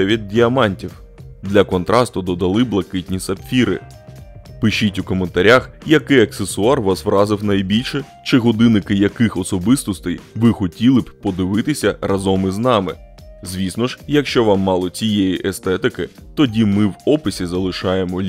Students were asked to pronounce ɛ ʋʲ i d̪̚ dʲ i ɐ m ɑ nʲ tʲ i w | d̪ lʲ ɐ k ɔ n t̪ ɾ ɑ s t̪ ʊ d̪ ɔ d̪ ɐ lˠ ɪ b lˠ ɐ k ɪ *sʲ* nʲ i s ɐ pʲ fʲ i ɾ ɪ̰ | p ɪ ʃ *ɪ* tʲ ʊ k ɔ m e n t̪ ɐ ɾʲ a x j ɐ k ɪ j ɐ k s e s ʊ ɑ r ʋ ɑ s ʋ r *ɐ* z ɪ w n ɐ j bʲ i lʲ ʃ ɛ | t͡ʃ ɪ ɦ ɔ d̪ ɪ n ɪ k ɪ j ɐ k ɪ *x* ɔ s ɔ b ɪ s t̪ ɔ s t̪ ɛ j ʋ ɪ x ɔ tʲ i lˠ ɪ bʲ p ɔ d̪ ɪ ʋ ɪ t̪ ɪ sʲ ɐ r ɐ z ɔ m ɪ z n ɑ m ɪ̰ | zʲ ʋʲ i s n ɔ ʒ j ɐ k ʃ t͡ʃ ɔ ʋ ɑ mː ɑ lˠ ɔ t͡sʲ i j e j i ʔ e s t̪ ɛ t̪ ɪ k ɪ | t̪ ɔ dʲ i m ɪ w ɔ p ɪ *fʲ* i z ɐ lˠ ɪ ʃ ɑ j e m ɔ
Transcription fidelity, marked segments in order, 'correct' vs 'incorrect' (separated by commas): incorrect, incorrect, incorrect, correct, incorrect